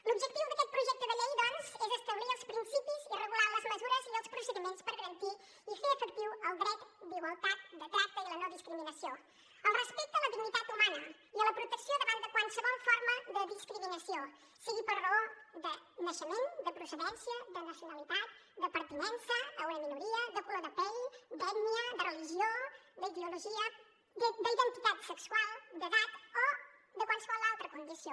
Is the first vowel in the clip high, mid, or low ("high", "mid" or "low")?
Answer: high